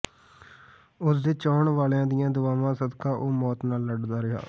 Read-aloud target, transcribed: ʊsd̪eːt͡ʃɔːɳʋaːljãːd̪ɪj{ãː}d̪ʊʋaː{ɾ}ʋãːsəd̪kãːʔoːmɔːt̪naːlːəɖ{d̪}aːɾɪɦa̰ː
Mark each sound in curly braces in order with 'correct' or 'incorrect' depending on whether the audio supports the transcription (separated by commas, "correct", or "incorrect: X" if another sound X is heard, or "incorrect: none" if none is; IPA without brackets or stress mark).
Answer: correct, incorrect: none, correct